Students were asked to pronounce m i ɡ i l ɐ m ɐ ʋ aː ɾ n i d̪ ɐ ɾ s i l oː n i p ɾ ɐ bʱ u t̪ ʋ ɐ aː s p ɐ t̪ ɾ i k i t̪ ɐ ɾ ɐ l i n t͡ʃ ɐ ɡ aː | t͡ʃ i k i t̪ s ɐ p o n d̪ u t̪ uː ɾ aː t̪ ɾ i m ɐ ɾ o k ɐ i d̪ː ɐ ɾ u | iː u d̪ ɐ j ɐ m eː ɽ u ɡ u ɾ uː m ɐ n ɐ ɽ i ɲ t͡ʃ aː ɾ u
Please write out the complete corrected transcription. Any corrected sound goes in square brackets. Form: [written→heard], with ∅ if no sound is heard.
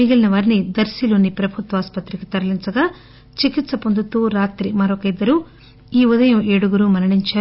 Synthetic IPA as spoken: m i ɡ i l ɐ [m→n] ɐ ʋ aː ɾ n i d̪ ɐ ɾ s i l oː n i p ɾ ɐ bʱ u t̪ ʋ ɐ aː s p ɐ t̪ ɾ i k i t̪ ɐ ɾ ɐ l i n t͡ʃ ɐ ɡ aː | t͡ʃ i k i t̪ s ɐ p o n d̪ u t̪ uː ɾ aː t̪ ɾ i m ɐ ɾ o k ɐ i d̪ː ɐ ɾ u | iː u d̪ ɐ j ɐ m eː ɽ u ɡ u ɾ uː m ɐ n ɐ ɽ i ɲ t͡ʃ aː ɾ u